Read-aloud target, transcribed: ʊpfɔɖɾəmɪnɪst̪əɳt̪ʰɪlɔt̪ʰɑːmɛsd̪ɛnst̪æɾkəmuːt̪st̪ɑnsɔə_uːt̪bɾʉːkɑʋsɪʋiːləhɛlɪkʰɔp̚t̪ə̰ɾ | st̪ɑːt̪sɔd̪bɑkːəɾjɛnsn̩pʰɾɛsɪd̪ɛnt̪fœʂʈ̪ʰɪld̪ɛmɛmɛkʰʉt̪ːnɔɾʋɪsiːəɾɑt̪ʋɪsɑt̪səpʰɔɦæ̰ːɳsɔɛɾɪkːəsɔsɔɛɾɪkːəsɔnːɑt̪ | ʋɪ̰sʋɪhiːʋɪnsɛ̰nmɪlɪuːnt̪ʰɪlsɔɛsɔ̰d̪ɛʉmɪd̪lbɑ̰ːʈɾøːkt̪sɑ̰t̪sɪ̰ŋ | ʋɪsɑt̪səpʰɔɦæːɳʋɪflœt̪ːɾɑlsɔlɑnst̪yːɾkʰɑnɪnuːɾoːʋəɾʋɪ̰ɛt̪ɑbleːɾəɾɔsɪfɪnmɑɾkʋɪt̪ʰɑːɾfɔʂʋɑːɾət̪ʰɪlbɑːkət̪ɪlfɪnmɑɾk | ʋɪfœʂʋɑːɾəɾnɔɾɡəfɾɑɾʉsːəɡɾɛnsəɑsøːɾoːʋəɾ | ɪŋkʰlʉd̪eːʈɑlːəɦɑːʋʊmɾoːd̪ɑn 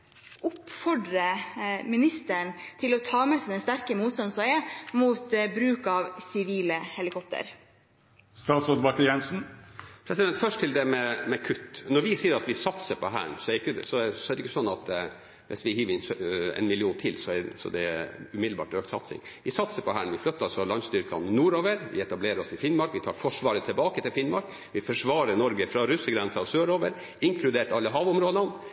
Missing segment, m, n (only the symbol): m